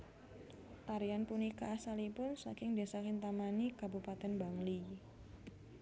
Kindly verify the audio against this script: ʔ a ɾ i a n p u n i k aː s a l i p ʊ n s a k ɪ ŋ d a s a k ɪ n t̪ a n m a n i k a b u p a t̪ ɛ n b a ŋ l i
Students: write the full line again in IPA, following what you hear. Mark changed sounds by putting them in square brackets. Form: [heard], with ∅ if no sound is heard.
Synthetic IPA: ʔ a ɾ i a n p u n i k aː s a l i p ʊ n s a k ɪ ŋ d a s a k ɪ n t̪ a [∅] m a n i k a b u p a t̪ ɛ n b a ŋ l i